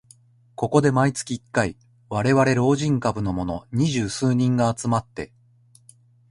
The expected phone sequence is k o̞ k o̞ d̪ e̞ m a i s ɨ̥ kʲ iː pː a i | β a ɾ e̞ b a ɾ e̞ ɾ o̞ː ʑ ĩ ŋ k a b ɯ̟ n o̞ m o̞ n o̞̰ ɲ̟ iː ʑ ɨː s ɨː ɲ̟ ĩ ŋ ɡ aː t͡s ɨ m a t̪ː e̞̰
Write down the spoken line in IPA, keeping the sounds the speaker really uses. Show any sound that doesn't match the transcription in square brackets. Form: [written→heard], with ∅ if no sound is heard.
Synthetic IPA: k o̞ k o̞ d̪ e̞ m a i [s→t͡s] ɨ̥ kʲ iː [pː→kː] a i | β a ɾ e̞ [b→β] a ɾ e̞ ɾ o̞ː ʑ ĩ ŋ k a b ɯ̟ n o̞ m o̞ n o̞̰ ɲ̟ [iː→i] ʑ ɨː s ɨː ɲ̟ ĩ ŋ ɡ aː t͡s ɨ m a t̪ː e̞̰